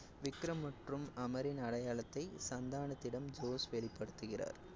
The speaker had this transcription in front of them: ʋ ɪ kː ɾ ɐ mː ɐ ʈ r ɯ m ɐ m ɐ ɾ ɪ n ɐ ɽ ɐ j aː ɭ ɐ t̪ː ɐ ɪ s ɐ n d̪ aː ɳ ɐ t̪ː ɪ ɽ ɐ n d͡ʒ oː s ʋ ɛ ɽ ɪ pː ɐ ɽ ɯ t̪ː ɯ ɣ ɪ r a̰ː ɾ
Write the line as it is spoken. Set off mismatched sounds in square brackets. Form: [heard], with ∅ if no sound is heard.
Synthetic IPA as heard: ʋ ɪ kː ɾ ɐ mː ɐ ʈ r ɯ m ɐ m ɐ ɾ ɪ n ɐ ɽ ɐ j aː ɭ ɐ t̪ː ɐ ɪ s ɐ n d̪ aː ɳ ɐ t̪ː ɪ ɽ ɐ [m] d͡ʒ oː s ʋ ɛ [ɭ] ɪ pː ɐ ɽ ɯ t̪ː ɯ ɣ ɪ r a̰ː ɾ

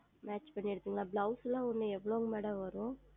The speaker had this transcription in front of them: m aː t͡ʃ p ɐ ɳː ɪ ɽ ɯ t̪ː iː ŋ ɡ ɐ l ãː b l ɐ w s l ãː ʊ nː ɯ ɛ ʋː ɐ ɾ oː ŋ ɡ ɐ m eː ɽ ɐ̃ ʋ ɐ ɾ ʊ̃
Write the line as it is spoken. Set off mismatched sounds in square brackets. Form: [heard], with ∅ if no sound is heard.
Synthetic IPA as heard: m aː t͡ʃ p ɐ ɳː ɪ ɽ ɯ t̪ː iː ŋ ɡ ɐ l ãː b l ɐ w s l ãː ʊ nː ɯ ɛ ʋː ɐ [ɭ] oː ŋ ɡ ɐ m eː ɽ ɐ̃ ʋ ɐ ɾ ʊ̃

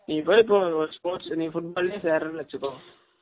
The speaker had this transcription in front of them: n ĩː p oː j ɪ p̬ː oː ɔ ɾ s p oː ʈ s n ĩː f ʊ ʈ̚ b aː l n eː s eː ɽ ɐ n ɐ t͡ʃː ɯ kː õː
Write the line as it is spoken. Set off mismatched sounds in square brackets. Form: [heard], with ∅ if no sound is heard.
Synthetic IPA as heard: n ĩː p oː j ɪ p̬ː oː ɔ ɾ s p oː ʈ s n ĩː f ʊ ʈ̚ b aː l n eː s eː [ɾ] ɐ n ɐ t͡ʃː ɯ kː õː

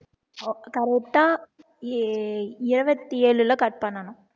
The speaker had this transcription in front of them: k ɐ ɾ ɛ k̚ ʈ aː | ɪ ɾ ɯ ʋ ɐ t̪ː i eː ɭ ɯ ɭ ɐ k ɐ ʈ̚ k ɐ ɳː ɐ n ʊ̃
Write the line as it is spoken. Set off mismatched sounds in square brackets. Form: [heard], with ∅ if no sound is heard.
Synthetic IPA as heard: k ɐ ɾ ɛ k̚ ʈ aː | ɪ ɾ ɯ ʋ ɐ t̪ː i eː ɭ ɯ [l] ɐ k ɐ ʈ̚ [p] ɐ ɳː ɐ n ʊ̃

